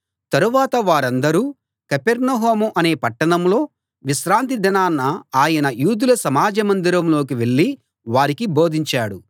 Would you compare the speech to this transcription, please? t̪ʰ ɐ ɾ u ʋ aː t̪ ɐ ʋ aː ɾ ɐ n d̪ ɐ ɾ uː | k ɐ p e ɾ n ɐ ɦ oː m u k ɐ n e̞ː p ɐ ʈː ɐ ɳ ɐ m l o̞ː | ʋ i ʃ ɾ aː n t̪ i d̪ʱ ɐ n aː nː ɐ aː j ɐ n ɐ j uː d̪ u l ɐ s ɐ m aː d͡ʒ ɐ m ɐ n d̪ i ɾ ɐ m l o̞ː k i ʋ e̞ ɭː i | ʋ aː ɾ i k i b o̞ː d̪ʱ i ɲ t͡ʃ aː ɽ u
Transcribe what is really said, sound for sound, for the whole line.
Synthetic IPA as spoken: t̪ ɐ ɾ u ʋ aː t̪ ɐ ʋ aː ɾ ɐ n d̪ ɐ ɾ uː | k ɐ p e ɾ n ɐ ɦ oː m u ʔ ɐ n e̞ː p ɐ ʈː ɐ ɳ ɐ m l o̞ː | ʋ i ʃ ɾ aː n t̪ i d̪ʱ ɐ n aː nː ɐ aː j ɐ n ɐ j uː d̪ u l ɐ s ɐ m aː d͡ʒ ɐ m ɐ n d̪ i ɾ ɐ m l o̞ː k i ʋ e̞ ɭː i | ʋ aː ɾ i k i b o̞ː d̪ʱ i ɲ t͡ʃ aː ɽ u